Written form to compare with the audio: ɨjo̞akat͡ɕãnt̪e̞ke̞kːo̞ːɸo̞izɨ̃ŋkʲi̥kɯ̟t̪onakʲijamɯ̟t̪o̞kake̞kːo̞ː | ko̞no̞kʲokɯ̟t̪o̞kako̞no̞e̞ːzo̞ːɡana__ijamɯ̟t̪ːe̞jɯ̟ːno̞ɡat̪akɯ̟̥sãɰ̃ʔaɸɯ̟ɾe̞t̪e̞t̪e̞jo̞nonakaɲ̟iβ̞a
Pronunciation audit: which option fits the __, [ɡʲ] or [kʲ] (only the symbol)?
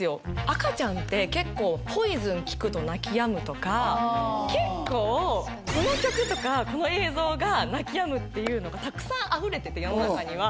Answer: kʲ